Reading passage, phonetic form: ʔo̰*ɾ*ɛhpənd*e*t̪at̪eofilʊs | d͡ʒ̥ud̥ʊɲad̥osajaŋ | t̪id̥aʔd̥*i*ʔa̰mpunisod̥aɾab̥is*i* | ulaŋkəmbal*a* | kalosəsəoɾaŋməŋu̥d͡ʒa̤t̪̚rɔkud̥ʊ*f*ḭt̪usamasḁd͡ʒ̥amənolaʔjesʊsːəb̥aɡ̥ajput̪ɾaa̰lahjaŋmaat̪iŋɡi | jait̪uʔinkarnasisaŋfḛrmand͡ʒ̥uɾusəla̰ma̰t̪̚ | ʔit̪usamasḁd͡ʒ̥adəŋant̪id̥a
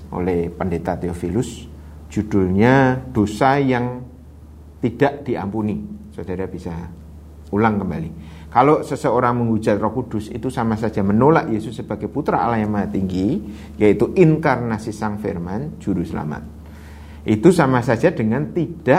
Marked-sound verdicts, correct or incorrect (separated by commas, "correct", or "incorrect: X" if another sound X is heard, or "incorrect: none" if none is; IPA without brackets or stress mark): incorrect: l, correct, correct, incorrect: a, incorrect: i, incorrect: s